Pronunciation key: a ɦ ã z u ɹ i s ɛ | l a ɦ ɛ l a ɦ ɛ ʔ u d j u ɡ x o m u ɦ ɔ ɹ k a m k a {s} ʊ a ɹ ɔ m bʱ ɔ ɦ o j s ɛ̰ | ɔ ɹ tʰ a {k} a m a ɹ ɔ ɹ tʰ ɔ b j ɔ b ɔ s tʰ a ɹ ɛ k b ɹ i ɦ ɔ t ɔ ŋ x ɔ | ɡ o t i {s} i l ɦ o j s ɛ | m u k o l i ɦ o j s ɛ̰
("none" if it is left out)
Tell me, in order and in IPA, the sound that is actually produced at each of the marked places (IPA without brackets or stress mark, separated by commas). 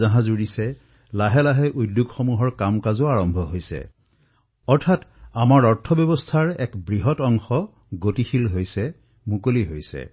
z, t, x